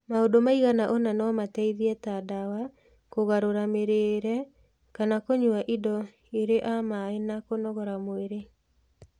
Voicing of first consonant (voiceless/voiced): voiced